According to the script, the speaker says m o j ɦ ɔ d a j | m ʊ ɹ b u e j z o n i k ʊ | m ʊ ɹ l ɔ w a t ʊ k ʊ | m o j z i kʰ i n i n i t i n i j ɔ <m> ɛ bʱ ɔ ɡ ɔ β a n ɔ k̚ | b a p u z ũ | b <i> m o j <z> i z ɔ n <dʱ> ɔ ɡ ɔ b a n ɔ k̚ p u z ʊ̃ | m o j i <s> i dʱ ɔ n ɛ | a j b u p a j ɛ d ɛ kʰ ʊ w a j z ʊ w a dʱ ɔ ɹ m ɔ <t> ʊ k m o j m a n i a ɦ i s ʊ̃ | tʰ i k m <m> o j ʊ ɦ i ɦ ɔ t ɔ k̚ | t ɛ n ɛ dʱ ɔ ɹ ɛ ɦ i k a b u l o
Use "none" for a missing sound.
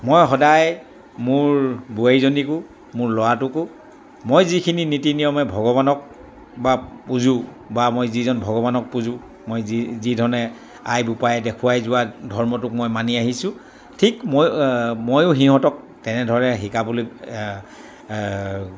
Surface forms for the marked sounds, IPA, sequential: m, a, z, bʱ, z, t, m

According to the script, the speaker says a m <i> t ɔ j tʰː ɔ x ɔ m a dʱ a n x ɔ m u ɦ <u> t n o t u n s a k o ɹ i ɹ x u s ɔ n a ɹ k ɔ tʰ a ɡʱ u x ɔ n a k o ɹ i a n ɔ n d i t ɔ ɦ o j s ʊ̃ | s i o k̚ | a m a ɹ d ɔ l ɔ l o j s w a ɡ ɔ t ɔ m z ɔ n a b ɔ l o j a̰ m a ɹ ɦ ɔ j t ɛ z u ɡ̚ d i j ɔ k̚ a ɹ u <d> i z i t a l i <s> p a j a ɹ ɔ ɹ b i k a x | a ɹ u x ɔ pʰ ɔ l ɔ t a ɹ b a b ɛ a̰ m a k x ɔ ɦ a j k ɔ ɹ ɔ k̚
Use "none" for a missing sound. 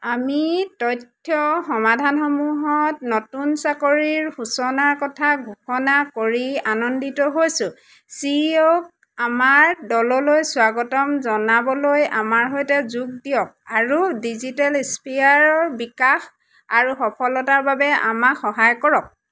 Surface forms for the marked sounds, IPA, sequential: i, ɔ, d, s

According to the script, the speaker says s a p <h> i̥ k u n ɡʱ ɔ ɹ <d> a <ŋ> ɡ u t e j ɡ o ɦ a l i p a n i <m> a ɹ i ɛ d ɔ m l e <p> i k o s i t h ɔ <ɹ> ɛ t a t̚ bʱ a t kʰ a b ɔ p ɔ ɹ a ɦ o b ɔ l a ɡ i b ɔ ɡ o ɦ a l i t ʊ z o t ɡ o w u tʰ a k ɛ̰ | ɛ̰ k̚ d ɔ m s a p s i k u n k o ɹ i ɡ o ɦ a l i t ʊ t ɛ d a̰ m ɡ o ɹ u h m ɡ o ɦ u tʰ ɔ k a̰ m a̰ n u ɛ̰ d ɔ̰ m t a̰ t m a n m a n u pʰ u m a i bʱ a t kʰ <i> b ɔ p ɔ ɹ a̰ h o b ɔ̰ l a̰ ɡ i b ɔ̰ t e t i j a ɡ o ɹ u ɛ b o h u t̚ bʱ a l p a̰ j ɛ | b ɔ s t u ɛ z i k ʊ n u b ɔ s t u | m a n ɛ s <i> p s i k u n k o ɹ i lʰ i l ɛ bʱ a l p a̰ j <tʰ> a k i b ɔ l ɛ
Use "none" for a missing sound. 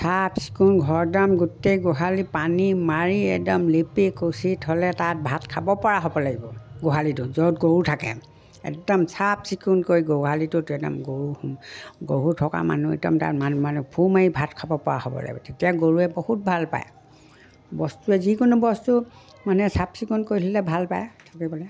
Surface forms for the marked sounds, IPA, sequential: s, d, m, m, p, l, a, a, tʰ

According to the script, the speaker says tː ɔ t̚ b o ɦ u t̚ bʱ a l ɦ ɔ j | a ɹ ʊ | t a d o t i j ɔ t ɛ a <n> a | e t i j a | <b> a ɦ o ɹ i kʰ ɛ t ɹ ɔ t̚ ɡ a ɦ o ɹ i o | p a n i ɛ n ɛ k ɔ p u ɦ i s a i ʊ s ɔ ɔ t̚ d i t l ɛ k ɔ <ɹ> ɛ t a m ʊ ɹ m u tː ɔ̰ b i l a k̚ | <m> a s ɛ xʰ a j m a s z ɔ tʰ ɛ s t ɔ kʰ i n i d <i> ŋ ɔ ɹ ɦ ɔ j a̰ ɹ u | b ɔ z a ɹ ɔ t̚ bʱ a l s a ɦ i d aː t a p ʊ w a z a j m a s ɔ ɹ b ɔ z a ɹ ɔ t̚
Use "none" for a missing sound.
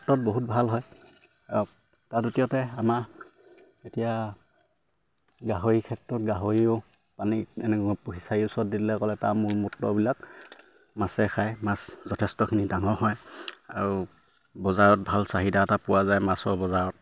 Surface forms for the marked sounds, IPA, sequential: m, ɡ, l, m, a

